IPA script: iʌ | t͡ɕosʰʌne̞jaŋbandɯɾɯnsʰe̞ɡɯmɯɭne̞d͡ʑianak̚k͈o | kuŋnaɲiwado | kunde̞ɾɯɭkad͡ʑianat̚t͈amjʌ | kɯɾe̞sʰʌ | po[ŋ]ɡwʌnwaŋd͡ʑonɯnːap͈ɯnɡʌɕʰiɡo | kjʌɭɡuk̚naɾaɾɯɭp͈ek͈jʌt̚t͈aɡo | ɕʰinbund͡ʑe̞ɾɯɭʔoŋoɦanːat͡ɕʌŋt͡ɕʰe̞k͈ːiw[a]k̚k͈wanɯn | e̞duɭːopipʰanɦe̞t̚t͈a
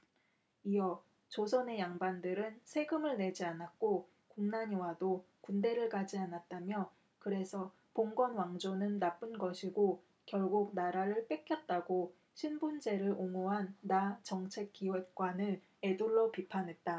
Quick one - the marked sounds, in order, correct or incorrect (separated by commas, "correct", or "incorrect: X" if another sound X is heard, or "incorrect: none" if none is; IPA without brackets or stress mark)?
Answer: correct, incorrect: e